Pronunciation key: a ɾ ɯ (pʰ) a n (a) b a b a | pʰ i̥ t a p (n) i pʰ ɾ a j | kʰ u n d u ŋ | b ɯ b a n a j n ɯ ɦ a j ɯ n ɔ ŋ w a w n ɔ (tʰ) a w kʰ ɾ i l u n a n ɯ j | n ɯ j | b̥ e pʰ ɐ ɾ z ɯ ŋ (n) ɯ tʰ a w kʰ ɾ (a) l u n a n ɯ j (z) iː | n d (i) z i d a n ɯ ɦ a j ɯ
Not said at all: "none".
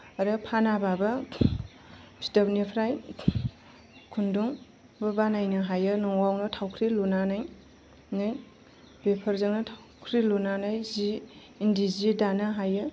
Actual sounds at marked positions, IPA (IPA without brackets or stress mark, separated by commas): pʰ, a, n, tʰ, n, i, z, i